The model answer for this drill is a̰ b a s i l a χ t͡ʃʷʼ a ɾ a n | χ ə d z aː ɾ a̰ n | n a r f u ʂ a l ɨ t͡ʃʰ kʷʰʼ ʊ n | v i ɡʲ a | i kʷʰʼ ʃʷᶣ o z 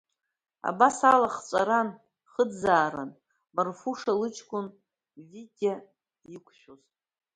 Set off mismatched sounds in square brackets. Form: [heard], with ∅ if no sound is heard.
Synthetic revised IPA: a̰ b a s [a] l a χ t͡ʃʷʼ a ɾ a n | χ ə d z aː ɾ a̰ n | [m] a r f u ʂ a l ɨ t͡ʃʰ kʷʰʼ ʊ n | v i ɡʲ a | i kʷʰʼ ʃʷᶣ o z